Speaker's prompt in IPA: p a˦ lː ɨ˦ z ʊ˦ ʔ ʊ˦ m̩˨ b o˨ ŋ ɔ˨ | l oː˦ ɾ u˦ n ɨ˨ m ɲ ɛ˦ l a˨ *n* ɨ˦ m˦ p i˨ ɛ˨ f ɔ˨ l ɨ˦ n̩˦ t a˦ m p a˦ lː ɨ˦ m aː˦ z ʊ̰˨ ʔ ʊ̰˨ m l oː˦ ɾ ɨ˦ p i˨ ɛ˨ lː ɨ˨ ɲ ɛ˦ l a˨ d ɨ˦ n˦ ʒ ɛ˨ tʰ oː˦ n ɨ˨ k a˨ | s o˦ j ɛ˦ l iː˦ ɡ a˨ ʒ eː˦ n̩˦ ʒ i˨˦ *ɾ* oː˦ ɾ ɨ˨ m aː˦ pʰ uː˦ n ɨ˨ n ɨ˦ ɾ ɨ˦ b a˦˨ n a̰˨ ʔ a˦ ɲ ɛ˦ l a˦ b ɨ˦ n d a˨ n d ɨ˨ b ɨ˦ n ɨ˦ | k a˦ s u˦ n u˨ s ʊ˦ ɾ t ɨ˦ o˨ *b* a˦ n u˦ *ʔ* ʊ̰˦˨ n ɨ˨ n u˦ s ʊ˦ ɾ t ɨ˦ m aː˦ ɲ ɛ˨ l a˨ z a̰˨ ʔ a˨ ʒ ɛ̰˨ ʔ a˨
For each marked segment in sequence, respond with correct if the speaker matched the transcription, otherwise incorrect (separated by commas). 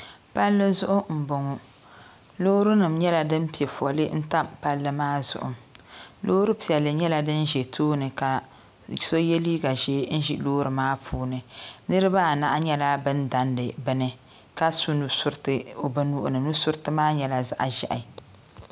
incorrect, incorrect, correct, correct